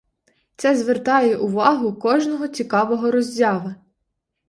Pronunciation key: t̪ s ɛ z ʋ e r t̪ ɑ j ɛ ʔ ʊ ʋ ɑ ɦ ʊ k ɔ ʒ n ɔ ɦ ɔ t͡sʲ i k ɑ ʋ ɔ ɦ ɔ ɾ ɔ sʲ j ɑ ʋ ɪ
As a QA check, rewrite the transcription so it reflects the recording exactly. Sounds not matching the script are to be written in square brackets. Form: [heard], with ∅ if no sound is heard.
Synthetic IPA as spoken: t̪ s ɛ z ʋ e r t̪ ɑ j ɛ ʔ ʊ ʋ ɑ ɦ ʊ k ɔ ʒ n ɔ ɦ ɔ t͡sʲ i k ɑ ʋ ɔ ɦ ɔ ɾ ɔ [zʲ] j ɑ ʋ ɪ